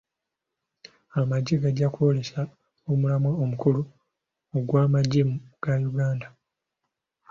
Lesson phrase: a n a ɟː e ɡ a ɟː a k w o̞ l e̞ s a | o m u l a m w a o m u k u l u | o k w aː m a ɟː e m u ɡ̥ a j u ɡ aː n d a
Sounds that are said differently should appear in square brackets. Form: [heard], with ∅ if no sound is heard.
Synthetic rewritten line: a [m] a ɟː e ɡ a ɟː a k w o̞ l e̞ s a | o m u l a m w a o m u k u l u | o [ɡ] w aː m a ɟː e m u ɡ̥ a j u ɡ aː n d a